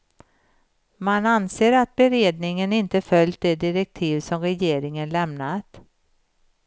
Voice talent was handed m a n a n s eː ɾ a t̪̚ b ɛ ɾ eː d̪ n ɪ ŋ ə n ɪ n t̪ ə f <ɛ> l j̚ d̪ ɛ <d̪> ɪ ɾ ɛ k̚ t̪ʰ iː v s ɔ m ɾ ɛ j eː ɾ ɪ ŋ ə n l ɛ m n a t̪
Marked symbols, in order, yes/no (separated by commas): no, yes